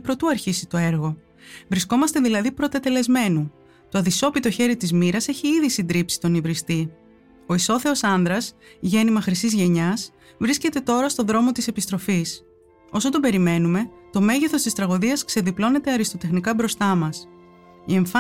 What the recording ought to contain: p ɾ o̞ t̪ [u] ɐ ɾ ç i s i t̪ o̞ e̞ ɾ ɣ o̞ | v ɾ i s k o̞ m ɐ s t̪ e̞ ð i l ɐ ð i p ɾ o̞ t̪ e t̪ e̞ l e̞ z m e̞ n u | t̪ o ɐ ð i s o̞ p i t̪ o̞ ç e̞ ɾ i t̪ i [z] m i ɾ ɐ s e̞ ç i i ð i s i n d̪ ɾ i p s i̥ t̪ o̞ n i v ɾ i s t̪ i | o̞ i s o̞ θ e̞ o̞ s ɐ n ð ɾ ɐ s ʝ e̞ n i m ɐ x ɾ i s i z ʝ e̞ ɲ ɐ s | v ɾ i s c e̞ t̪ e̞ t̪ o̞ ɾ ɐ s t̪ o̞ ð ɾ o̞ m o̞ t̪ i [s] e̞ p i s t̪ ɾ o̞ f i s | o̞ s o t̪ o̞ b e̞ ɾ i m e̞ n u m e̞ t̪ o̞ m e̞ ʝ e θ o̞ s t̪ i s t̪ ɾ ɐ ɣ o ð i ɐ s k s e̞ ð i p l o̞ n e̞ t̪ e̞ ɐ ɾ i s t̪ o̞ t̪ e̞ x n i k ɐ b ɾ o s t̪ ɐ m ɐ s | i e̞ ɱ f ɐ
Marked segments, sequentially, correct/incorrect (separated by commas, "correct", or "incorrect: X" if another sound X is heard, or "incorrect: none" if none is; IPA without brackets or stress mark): correct, correct, correct